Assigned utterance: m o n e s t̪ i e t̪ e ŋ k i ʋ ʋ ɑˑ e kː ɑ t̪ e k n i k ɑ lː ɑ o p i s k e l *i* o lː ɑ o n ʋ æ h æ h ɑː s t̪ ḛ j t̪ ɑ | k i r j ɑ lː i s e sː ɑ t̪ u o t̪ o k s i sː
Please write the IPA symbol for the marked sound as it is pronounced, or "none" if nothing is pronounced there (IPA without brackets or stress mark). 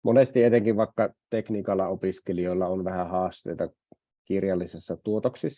i